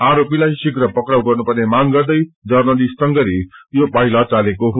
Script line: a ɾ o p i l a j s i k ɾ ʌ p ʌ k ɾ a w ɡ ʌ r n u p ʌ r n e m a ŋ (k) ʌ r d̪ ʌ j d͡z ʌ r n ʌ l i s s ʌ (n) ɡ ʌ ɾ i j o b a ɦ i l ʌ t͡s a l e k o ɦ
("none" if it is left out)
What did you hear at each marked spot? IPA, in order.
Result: ɡ, ŋ

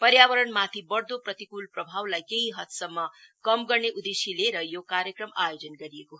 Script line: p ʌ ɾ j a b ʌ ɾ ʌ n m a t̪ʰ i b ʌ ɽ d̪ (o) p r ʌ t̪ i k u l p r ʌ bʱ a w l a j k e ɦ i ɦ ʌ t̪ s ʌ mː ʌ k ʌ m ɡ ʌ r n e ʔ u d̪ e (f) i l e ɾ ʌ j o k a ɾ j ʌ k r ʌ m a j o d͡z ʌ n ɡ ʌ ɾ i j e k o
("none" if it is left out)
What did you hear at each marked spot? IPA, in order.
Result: o, s

